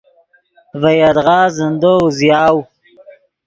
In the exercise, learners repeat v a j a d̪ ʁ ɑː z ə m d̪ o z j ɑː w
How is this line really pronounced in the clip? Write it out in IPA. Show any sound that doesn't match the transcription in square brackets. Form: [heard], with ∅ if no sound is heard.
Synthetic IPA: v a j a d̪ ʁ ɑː z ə [n] d̪ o z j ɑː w